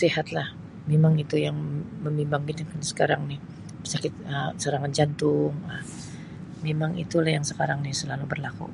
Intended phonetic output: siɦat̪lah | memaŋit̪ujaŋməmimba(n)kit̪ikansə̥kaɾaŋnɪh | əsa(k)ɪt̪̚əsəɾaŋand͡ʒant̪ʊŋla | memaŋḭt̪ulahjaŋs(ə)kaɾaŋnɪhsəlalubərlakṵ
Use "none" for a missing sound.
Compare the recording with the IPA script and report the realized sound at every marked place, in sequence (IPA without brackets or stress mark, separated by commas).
ŋ, k, ə